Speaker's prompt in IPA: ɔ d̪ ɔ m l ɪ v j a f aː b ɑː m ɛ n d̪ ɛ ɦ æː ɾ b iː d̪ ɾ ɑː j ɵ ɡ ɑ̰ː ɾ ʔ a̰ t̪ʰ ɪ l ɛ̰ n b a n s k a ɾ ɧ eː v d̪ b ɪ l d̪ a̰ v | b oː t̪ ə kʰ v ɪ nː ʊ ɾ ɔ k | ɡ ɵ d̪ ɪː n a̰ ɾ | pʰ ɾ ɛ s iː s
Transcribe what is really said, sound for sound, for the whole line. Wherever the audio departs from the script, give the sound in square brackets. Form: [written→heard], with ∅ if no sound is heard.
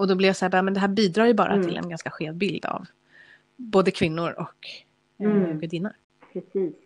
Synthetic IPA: ɔ d̪ ɔ [m→b] l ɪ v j a [f→s] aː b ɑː m ɛ n d̪ ɛ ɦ æː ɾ b iː d̪ ɾ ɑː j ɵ [ɡ→b] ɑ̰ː ɾ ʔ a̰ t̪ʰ ɪ l ɛ̰ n [b→ɡ] a n s k a [ɾ→∅] ɧ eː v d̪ b ɪ l d̪ a̰ v | b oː [t̪→d̪] ə kʰ v ɪ nː ʊ ɾ ɔ k | ɡ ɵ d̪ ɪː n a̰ ɾ | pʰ ɾ ɛ s iː s